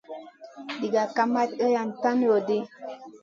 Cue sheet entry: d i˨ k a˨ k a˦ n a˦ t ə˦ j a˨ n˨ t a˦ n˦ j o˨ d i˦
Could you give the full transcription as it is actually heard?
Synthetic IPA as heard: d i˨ ɡ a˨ k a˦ m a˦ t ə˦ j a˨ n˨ t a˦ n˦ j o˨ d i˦

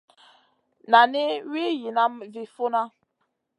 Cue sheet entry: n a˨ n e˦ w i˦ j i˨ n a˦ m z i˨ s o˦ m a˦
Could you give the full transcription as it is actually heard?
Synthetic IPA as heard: n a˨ n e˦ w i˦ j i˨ n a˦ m v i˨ f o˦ n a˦

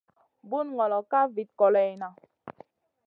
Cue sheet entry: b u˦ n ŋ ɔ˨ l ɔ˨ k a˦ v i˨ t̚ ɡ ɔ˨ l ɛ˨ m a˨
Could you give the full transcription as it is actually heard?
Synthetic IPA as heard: b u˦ n ŋ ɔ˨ l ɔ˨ k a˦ v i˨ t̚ k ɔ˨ l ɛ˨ n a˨

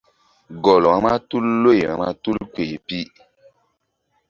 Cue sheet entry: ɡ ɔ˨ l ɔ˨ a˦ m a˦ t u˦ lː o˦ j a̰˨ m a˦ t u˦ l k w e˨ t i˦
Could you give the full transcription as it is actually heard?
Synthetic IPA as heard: ɡ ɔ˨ l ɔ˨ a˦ m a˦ t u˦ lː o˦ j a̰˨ m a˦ t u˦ l k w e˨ p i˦

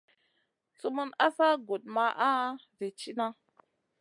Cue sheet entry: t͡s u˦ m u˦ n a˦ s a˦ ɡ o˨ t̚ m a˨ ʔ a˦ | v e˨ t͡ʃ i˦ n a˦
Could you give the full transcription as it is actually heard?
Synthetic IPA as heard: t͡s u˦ m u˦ n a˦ s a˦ ɡ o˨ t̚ m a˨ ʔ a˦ | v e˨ t͡ʃ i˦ n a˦

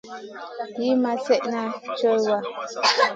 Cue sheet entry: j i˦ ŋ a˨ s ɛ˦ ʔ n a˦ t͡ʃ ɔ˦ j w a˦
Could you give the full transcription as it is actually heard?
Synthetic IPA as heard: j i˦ m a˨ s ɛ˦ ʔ n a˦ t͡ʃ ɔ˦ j w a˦

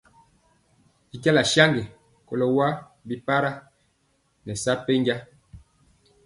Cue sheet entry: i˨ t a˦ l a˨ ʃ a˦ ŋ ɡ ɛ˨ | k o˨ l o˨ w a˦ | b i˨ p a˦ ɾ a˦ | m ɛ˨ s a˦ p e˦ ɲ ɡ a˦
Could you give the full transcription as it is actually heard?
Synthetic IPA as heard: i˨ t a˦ l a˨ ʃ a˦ ŋ ɡ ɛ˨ | k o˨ l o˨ w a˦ | b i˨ p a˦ ɾ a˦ | n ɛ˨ s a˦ p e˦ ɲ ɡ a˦

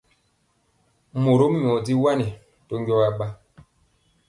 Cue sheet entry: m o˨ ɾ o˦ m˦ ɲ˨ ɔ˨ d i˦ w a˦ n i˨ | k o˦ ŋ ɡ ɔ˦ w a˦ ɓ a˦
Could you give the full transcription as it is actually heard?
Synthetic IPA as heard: m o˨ ɾ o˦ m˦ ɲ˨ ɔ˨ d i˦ w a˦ n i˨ | t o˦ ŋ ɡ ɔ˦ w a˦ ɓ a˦

